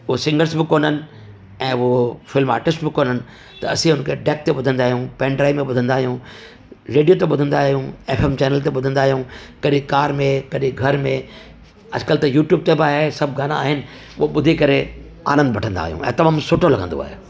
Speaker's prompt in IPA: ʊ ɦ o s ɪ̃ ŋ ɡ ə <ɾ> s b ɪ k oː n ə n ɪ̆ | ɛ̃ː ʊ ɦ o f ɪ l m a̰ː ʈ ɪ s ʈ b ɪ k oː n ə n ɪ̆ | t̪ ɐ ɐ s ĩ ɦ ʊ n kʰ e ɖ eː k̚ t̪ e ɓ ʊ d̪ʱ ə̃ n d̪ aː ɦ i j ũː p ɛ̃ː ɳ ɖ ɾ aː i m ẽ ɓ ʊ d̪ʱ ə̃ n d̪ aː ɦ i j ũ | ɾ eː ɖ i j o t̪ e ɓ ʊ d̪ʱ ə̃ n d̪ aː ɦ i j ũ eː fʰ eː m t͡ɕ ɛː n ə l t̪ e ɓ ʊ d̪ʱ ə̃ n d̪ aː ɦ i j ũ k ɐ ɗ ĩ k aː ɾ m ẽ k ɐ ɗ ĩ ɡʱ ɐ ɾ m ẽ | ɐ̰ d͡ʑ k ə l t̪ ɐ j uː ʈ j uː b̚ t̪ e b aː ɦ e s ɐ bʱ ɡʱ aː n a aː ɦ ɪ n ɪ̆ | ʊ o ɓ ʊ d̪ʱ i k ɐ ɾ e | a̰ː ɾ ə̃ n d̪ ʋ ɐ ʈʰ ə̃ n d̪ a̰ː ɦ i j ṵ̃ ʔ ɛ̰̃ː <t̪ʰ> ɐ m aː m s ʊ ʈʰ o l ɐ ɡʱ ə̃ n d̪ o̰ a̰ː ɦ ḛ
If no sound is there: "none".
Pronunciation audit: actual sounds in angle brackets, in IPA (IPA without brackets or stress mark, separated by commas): ɾ, t̪